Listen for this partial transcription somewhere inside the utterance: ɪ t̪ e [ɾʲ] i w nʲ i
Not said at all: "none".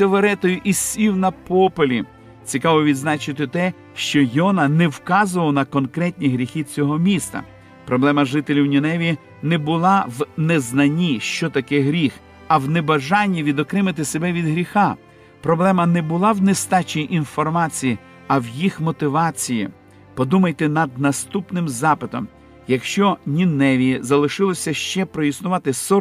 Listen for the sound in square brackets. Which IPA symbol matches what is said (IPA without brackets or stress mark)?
lʲ